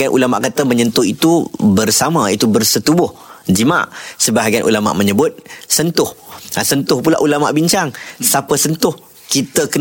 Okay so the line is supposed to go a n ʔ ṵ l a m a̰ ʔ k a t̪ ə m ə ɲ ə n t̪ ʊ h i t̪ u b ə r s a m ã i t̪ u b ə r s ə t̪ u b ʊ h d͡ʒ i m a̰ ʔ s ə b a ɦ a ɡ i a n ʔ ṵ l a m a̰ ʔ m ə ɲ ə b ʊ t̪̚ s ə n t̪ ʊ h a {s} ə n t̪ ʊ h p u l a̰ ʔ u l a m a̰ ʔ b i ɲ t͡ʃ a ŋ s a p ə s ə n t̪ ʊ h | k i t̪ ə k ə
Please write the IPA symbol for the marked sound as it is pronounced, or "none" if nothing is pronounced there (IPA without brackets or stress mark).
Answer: s